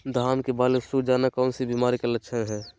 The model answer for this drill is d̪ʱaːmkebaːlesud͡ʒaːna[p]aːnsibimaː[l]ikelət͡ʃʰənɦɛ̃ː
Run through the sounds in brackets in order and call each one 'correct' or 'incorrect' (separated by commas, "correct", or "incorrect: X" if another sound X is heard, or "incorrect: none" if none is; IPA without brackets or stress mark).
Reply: incorrect: k, incorrect: ɾ